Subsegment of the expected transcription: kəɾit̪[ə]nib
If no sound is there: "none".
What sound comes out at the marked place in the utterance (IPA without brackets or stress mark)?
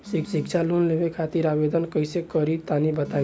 a